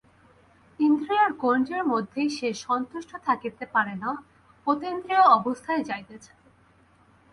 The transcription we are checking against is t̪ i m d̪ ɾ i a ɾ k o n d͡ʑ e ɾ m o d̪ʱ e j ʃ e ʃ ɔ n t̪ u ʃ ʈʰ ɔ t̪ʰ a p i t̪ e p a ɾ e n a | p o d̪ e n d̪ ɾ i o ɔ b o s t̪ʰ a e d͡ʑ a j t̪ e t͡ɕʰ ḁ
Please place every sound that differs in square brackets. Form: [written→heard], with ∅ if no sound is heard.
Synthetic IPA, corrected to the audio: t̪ i [m→n] d̪ ɾ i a ɾ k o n d͡ʑ e ɾ m o [d̪ʱ→d̪ʱː] e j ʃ e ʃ ɔ n t̪ u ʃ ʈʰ [ɔ→o] t̪ʰ a [p→k] i t̪ e p a ɾ e n a | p o [d̪→t̪] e n d̪ ɾ i o ɔ b o s t̪ʰ a e d͡ʑ a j t̪ e t͡ɕʰ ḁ